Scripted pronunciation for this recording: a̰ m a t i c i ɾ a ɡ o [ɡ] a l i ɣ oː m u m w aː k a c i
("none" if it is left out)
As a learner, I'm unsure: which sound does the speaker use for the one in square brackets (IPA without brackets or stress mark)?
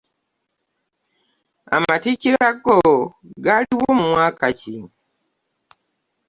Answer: ɡ